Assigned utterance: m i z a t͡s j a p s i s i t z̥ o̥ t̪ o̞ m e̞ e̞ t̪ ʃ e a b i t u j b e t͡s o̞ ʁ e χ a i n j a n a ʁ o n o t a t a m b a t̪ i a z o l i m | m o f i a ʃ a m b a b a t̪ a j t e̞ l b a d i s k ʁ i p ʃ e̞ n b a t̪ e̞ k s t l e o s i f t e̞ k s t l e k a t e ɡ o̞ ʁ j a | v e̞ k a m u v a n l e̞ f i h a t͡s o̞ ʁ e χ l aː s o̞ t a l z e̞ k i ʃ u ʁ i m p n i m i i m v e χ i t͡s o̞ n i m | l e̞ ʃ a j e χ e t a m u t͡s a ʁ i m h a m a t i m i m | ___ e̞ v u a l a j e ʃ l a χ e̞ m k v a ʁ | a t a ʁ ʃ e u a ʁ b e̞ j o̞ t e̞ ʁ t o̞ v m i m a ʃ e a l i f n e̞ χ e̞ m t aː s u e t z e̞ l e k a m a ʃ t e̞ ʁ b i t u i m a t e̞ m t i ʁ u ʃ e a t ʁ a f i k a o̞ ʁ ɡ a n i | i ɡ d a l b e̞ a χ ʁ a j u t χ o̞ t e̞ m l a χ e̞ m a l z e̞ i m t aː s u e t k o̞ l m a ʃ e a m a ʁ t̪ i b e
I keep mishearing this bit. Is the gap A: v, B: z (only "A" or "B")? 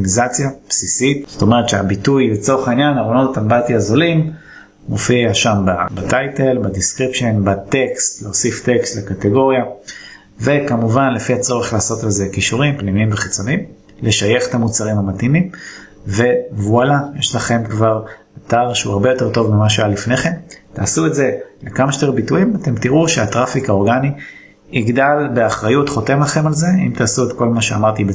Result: A